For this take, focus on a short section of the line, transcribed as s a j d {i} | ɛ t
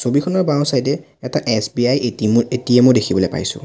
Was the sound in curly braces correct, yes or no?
no